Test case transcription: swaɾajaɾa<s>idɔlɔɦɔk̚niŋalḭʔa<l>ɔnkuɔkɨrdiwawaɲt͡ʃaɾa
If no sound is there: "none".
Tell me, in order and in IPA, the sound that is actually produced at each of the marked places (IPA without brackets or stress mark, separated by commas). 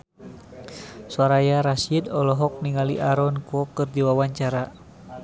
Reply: s, ɾ